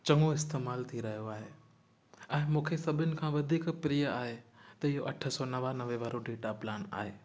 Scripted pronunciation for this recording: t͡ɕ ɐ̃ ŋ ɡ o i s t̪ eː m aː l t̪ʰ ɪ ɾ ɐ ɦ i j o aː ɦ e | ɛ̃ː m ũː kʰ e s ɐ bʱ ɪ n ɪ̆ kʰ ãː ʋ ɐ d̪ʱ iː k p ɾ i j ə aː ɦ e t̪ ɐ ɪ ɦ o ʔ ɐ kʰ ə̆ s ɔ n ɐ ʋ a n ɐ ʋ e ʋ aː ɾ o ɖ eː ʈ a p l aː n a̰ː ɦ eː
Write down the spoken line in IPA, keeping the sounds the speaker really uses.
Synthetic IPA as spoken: t͡ɕ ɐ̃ ŋ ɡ o ɪ s t̪ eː m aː l t̪ʰ i ɾ ɐ ɦ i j o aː ɦ e | ɛ̃ː m ũː kʰ e s ɐ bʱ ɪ n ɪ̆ kʰ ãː ʋ ɐ d̪ʱ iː k p ɾ i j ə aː ɦ e t̪ ɐ ɪ ɦ o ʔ ɐ ʈʰ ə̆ s ɔ n ɐ ʋ a n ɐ ʋ e ʋ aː ɾ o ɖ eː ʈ a p l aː n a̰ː ɦ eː